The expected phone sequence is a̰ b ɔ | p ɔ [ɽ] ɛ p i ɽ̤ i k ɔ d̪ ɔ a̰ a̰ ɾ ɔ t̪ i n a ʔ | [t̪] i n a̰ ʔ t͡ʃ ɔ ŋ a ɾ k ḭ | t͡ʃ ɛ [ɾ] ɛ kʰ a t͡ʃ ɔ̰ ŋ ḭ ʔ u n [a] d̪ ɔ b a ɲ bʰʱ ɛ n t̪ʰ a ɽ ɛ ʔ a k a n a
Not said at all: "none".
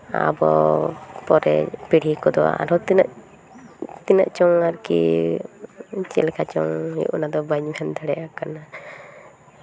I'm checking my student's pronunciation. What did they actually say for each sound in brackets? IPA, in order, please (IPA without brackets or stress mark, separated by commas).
ɾ, t̪, l, a